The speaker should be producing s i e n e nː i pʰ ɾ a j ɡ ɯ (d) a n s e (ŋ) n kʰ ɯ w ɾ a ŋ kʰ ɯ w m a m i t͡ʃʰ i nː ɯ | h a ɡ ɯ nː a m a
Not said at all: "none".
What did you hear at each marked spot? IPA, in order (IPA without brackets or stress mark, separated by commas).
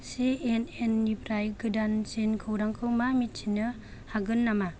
d, none